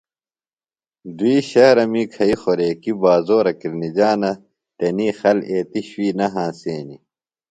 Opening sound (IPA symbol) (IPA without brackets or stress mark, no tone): d̪